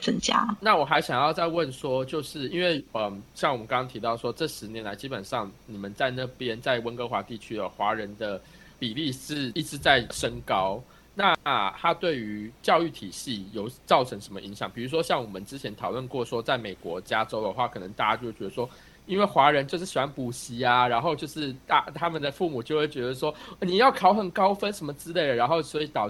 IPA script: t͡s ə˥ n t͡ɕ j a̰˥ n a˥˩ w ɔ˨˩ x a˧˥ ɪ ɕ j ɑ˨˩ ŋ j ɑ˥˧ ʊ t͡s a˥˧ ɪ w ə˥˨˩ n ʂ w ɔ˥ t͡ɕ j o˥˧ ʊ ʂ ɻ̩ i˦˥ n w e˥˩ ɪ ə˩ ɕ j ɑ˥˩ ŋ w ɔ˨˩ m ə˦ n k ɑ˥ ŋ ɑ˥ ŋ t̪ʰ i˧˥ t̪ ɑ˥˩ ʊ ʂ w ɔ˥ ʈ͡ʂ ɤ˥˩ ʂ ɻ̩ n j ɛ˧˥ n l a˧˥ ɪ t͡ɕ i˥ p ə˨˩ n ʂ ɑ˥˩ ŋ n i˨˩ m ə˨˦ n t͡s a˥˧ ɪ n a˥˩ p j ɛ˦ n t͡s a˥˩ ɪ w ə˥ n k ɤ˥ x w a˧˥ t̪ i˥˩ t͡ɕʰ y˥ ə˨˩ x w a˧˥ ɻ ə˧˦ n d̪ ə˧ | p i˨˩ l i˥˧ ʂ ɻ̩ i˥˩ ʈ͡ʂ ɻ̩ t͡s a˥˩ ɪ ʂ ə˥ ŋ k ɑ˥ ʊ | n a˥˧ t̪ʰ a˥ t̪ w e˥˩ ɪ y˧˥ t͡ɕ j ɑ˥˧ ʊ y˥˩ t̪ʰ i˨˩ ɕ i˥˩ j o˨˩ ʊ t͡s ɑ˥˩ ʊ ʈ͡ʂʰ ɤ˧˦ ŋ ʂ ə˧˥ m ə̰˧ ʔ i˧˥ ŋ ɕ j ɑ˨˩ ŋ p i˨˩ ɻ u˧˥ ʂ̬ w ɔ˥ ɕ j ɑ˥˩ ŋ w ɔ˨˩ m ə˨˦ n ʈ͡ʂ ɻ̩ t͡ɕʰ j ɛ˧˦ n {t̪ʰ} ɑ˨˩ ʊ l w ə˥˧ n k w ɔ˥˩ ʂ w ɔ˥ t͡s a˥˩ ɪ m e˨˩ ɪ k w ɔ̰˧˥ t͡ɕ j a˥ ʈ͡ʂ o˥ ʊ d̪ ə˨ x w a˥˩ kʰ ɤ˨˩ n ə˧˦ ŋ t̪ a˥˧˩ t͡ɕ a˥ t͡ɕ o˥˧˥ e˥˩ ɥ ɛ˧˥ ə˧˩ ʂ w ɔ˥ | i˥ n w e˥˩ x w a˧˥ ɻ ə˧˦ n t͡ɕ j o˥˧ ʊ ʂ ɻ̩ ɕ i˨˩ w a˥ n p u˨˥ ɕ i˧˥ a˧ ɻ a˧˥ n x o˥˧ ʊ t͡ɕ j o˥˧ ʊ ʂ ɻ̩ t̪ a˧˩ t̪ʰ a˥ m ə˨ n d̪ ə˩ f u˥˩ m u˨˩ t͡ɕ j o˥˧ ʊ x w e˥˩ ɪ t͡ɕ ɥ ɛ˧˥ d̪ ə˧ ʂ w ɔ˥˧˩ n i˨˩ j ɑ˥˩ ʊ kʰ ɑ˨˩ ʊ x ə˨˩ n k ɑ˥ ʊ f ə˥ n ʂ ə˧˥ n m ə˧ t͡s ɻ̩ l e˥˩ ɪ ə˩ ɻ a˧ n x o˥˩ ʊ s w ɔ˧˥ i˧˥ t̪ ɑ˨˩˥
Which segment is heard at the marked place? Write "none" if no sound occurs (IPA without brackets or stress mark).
t̪ʰ